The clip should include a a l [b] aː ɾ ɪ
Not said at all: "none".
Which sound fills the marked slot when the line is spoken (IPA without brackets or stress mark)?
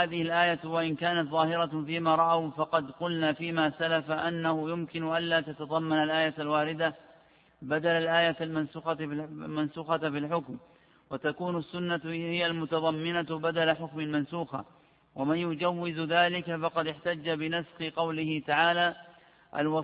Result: w